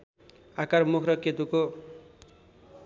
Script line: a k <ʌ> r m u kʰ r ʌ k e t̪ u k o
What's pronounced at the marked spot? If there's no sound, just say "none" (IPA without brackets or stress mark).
a